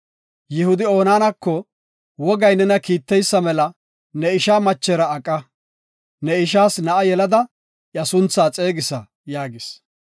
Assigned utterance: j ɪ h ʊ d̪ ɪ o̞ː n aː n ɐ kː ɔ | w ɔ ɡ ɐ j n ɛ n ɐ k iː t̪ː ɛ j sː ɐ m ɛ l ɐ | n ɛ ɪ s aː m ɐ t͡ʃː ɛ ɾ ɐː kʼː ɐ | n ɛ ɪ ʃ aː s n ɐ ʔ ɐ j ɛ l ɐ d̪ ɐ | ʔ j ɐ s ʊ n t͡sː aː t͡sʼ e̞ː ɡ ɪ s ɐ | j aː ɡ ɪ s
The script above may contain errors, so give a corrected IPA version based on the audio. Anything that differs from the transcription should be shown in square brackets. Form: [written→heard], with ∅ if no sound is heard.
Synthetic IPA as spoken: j ɪ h ʊ d̪ ɪ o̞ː n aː n ɐ kː ɔ | w ɔ ɡ ɐ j n ɛ n ɐ k iː t̪ː ɛ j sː ɐ m ɛ l ɐ | n ɛ ɪ [s→ʃ] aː m ɐ t͡ʃː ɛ ɾ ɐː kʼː ɐ | n ɛ ɪ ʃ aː s n ɐ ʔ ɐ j ɛ l ɐ d̪ ɐ | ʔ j ɐ s ʊ n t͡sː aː t͡sʼ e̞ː ɡ ɪ s ɐ | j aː ɡ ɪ s